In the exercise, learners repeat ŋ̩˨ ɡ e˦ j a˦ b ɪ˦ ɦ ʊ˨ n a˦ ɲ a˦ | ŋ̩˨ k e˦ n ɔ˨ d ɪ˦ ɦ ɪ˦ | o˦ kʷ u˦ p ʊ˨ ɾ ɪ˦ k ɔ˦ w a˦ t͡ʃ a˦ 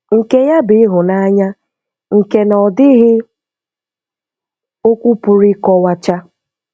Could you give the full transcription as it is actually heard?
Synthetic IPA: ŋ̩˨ k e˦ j a˦ b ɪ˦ ɦ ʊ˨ n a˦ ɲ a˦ | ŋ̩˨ k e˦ n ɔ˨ d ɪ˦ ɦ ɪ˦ | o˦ kʷ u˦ p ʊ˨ ɾ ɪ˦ k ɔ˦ w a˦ t͡ʃ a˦